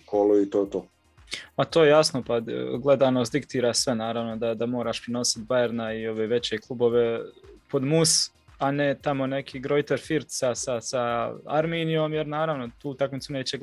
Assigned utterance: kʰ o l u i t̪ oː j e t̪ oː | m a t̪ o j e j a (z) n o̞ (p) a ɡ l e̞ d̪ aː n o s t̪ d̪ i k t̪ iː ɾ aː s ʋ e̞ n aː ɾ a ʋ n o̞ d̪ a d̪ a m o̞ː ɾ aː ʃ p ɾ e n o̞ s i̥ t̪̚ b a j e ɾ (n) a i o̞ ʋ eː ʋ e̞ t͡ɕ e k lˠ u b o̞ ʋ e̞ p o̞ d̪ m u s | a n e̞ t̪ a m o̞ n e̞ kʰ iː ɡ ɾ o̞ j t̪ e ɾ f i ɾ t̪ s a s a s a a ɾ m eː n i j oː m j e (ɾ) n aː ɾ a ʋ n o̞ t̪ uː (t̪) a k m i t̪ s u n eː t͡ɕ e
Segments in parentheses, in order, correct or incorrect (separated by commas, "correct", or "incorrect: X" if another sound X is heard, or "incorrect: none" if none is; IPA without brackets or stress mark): incorrect: s, correct, correct, correct, correct